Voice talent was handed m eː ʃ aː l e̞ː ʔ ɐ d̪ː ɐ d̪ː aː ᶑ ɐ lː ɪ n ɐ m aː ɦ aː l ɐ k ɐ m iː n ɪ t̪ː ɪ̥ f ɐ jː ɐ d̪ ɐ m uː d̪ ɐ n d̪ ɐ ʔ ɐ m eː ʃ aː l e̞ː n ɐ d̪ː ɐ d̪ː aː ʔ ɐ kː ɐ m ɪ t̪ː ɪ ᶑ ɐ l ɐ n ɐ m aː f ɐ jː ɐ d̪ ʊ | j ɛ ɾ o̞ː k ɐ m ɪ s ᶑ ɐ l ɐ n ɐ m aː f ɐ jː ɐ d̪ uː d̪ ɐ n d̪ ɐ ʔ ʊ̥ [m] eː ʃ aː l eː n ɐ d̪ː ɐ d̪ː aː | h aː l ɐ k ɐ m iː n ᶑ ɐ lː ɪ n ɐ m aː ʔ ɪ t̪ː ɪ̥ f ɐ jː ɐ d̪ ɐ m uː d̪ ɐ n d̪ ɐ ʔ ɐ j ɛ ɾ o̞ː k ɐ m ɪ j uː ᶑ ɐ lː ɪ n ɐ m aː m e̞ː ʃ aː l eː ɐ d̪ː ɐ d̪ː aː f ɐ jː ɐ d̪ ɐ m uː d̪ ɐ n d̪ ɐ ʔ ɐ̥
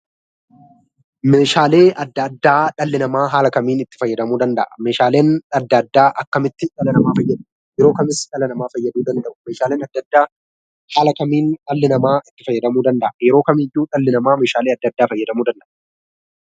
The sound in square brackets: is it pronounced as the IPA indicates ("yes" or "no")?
yes